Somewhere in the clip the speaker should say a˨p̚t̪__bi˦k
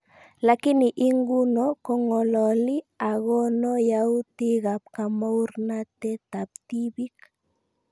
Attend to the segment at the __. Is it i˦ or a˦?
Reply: i˦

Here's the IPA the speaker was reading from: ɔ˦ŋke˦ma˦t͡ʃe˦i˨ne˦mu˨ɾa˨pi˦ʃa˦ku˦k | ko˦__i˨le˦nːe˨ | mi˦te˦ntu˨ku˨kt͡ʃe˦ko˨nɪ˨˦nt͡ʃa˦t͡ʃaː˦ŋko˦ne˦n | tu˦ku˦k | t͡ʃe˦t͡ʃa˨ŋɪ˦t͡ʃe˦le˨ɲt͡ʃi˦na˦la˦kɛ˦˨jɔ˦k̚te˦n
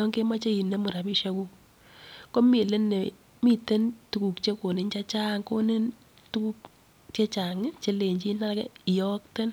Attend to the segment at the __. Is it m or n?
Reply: m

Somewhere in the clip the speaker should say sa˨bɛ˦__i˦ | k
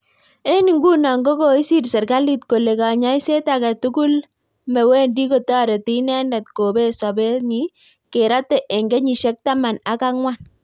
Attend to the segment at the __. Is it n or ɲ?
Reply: ɲ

